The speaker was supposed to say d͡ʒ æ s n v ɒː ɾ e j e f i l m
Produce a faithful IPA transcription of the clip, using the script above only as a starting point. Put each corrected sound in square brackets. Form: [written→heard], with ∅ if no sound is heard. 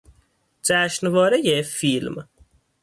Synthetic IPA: d͡ʒ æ [s→ʃ] n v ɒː ɾ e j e f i l m